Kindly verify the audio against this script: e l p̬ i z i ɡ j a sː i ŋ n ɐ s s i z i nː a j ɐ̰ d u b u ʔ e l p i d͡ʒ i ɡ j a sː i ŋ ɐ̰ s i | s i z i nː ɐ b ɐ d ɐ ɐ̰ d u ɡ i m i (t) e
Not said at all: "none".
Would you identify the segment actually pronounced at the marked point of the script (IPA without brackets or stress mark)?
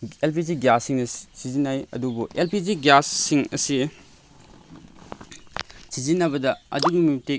t